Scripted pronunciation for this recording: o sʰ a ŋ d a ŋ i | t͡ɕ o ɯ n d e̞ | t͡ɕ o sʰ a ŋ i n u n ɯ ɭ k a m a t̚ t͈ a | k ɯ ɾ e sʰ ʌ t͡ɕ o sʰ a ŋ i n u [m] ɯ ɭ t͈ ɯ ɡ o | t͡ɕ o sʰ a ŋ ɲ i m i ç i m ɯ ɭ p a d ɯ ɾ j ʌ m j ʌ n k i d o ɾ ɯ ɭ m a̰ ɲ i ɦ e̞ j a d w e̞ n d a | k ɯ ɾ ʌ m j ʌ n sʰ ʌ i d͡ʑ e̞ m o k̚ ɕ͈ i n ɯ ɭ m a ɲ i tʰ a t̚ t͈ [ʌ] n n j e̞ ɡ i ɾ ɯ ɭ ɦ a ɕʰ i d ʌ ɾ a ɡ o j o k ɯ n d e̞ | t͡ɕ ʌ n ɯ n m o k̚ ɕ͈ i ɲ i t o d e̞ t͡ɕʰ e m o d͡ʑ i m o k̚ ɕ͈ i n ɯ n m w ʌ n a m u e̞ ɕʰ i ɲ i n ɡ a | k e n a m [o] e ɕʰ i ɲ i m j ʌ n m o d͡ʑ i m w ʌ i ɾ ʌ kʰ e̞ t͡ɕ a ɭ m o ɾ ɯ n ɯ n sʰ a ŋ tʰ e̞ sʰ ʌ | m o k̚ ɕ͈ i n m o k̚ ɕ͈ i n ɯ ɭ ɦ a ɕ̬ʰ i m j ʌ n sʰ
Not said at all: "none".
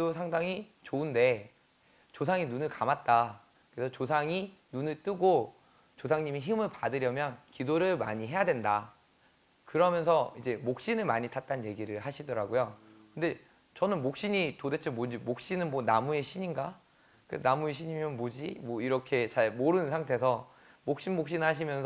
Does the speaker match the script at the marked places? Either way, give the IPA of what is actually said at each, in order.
n, a, u

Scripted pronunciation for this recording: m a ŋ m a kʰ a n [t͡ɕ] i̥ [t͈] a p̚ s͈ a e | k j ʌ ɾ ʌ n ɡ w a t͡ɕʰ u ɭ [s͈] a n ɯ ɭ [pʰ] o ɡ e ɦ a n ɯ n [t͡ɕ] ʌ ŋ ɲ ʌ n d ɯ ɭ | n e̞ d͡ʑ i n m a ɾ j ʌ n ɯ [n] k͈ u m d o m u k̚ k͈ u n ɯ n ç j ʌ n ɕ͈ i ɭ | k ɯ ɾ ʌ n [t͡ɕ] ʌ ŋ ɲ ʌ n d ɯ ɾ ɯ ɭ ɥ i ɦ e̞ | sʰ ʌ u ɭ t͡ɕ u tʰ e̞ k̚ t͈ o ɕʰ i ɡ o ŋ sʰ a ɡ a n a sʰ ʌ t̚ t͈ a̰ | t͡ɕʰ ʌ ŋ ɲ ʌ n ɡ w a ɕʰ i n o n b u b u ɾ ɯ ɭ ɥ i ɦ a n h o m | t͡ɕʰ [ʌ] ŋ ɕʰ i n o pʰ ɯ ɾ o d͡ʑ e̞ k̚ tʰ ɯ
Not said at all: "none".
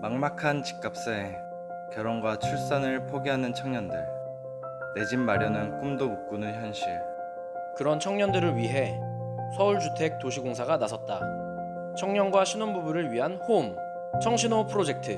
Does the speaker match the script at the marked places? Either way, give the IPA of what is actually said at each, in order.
t͡ɕ, k͈, s͈, pʰ, t͡ɕʰ, n, t͡ɕʰ, ʌ

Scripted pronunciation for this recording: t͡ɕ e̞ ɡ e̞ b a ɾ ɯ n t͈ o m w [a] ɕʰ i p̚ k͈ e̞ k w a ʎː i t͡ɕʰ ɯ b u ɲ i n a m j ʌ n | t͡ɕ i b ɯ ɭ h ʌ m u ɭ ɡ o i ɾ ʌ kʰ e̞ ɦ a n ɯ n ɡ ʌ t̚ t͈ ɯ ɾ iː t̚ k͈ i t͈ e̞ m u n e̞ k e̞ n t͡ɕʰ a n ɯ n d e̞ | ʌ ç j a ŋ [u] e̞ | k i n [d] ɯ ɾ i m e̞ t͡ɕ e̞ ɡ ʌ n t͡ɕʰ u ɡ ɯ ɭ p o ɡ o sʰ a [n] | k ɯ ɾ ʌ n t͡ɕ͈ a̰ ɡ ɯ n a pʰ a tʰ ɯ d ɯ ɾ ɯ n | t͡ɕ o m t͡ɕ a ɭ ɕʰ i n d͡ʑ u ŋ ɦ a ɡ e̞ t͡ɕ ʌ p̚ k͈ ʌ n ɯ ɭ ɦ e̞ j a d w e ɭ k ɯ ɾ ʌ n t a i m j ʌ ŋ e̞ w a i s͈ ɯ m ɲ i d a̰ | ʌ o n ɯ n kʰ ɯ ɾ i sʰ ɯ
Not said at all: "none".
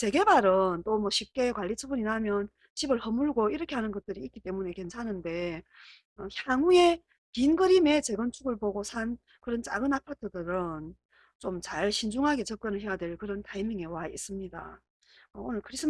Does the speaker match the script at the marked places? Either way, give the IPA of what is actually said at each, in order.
ʌ, u, ɡ, n

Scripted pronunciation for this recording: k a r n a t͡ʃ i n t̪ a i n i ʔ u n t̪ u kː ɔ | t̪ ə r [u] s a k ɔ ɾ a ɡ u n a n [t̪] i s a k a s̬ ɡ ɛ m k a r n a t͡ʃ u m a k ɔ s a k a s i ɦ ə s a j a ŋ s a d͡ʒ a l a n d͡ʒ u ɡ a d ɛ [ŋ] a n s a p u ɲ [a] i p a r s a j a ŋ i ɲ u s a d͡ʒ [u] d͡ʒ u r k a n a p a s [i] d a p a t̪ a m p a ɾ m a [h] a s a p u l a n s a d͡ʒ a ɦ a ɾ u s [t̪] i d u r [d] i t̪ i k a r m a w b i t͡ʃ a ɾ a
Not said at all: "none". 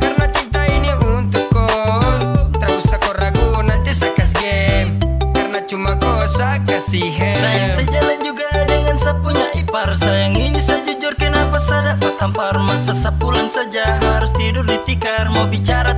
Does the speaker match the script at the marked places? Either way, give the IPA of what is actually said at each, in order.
u, t̪, ŋ, a, u, a, s, t̪, d

